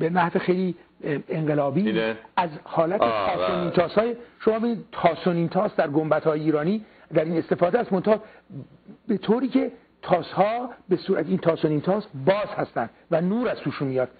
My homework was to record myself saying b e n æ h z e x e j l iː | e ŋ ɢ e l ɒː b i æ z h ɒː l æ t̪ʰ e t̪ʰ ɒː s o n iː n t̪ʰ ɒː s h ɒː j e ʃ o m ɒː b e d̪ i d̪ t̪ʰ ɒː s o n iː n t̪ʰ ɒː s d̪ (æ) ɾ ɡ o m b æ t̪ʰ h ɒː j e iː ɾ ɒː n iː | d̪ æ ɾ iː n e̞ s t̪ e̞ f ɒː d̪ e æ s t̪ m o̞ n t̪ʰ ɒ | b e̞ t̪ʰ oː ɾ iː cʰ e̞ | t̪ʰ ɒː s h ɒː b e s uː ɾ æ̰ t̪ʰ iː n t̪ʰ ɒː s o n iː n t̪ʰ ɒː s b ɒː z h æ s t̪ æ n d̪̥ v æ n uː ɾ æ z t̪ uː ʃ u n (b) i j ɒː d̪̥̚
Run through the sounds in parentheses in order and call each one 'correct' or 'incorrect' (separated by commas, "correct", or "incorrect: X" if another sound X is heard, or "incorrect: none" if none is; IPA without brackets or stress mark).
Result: correct, incorrect: m